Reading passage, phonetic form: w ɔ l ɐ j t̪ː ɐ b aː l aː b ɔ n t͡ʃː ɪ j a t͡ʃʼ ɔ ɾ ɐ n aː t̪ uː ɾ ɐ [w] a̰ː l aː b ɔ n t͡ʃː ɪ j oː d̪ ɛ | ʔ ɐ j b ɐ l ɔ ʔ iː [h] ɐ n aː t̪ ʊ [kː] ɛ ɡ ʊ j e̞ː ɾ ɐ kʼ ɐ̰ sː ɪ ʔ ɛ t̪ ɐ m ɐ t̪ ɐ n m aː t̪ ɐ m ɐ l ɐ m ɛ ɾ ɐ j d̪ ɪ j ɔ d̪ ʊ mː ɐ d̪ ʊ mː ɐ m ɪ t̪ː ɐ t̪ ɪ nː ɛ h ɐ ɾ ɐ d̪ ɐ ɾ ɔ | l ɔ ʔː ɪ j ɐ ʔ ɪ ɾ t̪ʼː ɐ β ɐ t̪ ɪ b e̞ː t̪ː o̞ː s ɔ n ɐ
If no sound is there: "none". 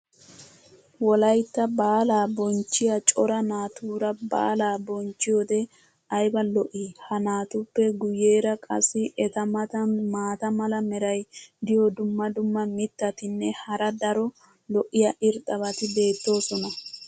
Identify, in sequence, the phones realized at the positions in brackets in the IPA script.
b, h, pː

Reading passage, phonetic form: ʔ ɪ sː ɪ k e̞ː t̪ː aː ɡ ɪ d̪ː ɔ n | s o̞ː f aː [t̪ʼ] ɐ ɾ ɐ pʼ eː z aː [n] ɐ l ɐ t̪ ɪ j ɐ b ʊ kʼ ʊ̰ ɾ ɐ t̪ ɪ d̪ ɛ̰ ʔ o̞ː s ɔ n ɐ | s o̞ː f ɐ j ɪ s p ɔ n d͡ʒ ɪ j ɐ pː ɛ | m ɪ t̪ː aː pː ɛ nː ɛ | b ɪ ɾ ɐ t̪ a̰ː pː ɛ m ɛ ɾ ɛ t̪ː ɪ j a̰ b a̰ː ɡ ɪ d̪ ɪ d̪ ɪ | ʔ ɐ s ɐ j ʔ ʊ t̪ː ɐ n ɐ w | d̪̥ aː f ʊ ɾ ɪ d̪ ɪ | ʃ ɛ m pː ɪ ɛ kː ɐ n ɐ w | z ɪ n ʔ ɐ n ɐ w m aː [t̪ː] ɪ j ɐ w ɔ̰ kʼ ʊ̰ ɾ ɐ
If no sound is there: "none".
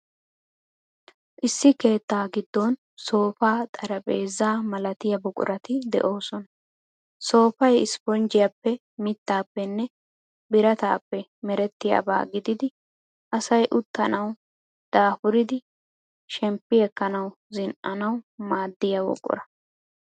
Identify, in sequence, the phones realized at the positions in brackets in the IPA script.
t̪ʼ, m, d̪ː

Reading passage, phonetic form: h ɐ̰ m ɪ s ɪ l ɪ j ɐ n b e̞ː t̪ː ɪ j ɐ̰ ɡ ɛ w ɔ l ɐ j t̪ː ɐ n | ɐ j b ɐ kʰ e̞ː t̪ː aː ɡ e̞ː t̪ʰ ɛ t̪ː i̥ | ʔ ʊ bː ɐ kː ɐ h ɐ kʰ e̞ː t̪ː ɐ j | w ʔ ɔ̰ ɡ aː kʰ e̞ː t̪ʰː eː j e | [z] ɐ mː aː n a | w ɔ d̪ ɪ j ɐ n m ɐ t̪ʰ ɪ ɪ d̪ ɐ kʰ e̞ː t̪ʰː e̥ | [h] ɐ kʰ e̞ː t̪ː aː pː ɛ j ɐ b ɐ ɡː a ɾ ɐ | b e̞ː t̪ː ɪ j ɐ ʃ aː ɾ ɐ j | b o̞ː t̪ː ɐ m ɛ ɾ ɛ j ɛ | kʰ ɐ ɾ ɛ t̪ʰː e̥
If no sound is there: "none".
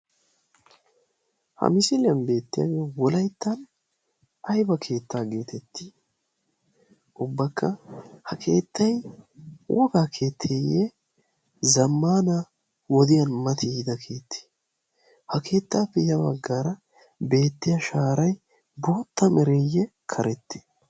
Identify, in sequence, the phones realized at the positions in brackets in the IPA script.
z, h

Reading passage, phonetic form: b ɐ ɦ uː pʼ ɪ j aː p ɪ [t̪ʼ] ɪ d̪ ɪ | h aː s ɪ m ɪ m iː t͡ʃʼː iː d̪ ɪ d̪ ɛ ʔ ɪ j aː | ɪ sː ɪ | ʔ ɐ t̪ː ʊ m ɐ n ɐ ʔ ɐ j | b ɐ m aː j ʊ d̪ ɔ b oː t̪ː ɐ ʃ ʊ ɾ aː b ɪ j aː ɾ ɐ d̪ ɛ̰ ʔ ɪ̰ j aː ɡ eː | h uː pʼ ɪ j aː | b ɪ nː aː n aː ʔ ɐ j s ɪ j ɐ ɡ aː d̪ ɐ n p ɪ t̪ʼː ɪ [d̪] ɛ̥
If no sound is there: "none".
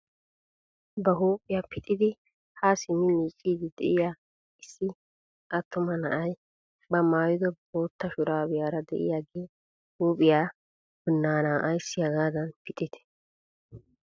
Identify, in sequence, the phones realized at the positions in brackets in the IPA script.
t̪ʼ, t̪

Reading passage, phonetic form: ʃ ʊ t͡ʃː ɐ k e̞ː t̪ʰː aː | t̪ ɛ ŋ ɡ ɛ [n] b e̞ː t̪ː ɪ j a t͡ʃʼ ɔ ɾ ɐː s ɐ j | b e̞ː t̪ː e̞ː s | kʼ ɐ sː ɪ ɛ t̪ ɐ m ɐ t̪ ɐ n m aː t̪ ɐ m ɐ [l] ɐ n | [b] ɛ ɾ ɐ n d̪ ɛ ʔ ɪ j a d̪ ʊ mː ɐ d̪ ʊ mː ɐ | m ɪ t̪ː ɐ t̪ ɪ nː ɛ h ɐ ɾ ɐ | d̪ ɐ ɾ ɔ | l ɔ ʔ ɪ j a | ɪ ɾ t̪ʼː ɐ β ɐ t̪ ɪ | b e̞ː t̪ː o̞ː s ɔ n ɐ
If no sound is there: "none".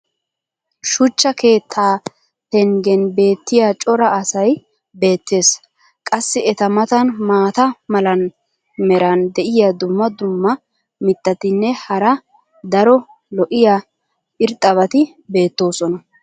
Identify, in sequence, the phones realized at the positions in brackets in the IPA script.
n, l, m

